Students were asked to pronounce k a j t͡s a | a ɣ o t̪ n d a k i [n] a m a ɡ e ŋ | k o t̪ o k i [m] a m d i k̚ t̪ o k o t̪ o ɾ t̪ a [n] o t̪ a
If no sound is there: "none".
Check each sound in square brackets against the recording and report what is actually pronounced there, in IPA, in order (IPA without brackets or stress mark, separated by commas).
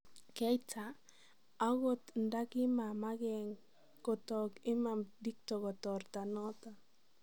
m, m, n